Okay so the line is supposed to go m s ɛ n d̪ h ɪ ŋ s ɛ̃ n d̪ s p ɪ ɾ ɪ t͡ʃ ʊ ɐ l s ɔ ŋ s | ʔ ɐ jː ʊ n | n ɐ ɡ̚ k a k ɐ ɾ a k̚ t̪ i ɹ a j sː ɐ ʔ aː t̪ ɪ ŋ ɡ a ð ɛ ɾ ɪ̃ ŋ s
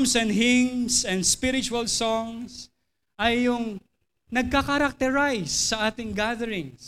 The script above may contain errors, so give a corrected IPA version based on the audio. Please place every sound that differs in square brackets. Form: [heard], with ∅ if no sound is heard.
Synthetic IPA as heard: m s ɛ n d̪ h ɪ ŋ s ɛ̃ n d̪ s p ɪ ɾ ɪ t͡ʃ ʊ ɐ l s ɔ ŋ s | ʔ ɐ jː ʊ [ŋ] | n ɐ ɡ̚ k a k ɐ ɾ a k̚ t̪ [ɛ] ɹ a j sː ɐ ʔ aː t̪ ɪ ŋ ɡ a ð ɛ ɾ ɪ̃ ŋ s